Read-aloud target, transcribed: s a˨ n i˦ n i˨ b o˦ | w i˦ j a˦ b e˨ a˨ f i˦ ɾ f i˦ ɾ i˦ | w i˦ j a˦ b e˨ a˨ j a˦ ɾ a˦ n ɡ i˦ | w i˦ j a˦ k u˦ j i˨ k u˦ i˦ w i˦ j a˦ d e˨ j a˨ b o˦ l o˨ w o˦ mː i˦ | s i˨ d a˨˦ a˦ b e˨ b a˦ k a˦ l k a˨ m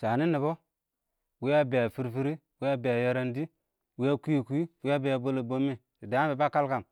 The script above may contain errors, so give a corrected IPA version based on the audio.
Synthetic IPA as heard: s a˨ n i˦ n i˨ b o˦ | w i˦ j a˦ b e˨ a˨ f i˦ ɾ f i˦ ɾ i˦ | w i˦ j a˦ b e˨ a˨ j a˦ ɾ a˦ n d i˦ | w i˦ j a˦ k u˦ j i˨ k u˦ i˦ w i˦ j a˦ b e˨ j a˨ b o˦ l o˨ b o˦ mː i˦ | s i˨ d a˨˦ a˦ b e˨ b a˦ k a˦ l k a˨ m